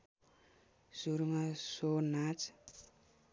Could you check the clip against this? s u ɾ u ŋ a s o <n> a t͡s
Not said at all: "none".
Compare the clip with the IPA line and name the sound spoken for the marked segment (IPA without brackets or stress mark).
n